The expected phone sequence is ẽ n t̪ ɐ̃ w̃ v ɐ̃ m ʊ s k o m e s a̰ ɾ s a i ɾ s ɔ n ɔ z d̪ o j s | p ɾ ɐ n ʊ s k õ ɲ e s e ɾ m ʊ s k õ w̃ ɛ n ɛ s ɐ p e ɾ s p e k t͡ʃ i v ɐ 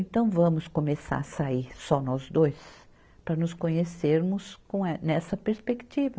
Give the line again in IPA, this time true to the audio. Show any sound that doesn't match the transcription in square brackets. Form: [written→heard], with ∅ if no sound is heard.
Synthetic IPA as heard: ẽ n t̪ ɐ̃ w̃ v ɐ̃ m ʊ s k o m e s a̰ ɾ s a i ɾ s ɔ n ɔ z d̪ o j s | p ɾ ɐ n ʊ s k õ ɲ e s e ɾ m ʊ s k õ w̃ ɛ n ɛ s ɐ p e ɾ s p e k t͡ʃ i v ɐ